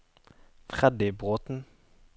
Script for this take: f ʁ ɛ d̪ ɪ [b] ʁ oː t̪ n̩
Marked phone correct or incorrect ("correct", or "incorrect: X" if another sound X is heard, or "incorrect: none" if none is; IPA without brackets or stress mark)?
correct